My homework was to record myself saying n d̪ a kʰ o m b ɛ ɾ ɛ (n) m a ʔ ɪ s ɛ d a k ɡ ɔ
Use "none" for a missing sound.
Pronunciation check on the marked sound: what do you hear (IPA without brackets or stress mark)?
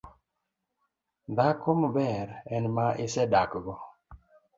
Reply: n